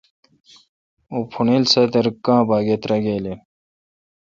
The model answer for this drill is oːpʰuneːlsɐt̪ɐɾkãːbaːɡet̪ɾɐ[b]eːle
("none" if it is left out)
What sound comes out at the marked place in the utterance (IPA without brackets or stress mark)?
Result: ɡ